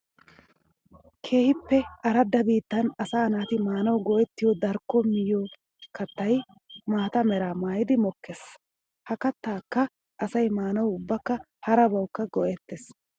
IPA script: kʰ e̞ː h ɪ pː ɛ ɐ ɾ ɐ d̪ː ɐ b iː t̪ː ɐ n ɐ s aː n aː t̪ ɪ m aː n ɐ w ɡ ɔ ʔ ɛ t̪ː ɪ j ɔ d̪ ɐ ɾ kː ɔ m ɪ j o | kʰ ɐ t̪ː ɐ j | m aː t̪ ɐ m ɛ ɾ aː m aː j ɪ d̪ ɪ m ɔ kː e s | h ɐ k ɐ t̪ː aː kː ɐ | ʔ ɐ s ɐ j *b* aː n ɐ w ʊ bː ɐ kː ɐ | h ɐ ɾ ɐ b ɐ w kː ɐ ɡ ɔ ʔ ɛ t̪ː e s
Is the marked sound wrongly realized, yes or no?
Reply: yes